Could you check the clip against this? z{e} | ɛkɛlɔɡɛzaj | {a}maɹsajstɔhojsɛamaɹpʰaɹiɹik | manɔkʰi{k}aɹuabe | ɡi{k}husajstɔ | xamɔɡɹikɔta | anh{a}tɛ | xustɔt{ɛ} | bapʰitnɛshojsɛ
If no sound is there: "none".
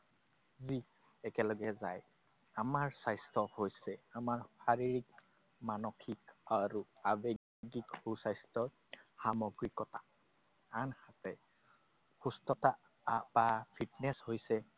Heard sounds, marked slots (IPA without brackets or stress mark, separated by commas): i, a, k, k, a, a